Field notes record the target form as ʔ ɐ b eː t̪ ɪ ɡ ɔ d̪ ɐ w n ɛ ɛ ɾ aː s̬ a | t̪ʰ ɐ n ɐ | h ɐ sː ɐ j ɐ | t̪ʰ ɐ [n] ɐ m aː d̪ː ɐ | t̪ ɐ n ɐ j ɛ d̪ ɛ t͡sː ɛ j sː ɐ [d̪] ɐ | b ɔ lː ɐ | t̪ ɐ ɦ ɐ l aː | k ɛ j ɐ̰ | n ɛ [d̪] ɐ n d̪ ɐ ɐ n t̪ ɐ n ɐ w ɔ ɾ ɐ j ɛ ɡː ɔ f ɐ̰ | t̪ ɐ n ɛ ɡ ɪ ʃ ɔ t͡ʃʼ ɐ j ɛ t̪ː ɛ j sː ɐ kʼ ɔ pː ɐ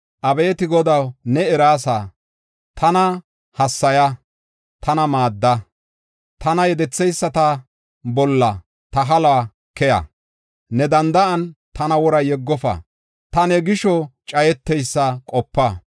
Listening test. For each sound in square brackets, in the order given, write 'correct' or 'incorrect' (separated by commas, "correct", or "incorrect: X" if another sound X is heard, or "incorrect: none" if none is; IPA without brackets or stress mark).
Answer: correct, incorrect: t̪, correct